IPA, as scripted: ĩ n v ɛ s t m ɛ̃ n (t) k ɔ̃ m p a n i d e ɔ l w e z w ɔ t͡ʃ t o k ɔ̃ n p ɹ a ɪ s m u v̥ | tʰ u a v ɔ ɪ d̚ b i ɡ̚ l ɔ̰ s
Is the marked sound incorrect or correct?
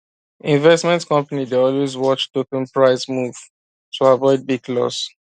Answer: correct